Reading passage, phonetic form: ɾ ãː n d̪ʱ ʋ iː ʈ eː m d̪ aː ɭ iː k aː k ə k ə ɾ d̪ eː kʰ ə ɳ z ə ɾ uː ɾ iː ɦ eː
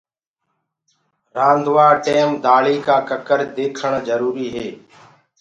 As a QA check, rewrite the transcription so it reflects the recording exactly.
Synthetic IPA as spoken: ɾ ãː n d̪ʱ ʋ aː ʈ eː m d̪ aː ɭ iː k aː k ə k ə ɾ d̪ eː kʰ ə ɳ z ə ɾ uː ɾ iː ɦ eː